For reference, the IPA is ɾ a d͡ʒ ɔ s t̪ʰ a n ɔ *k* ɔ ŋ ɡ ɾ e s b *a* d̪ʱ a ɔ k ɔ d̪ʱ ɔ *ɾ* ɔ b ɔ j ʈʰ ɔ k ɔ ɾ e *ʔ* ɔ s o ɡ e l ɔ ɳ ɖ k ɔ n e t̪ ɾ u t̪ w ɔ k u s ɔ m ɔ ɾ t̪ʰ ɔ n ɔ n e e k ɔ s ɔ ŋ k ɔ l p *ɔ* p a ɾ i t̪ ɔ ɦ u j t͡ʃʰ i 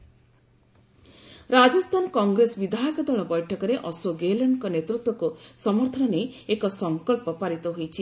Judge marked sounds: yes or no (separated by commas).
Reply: yes, no, no, yes, yes